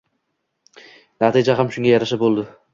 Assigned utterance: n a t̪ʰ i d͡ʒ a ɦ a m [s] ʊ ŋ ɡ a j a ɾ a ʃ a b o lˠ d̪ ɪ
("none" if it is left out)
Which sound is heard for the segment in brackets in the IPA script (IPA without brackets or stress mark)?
ʃ